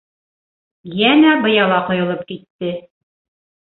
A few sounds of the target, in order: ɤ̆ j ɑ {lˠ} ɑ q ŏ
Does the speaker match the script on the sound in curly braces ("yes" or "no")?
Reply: yes